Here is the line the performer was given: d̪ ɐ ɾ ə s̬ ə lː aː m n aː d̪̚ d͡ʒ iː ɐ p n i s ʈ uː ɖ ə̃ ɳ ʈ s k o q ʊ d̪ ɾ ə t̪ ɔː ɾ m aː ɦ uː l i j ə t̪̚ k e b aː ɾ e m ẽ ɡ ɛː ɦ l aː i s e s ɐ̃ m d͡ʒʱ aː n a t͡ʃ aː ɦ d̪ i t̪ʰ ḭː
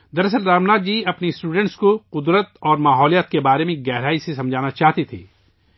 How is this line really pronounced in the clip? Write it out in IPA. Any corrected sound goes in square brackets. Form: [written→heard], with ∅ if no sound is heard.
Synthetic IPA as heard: d̪ ɐ ɾ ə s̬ ə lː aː m n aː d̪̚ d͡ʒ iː ɐ p n i s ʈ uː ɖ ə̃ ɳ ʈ s k o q ʊ d̪ ɾ ə t̪ ɔː ɾ m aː ɦ [uː→ɔː] l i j ə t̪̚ k e b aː ɾ e m ẽ ɡ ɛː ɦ [l→ɾ] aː i s e s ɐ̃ m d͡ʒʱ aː n a t͡ʃ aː ɦ [d̪→t̪] i t̪ʰ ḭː